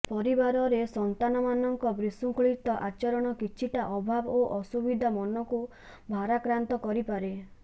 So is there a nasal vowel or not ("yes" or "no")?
no